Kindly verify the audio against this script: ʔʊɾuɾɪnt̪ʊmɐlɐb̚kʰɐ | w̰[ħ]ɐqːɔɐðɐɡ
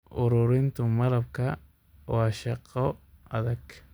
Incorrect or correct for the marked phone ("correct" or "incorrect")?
incorrect